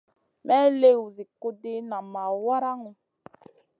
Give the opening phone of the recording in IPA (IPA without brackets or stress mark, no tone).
m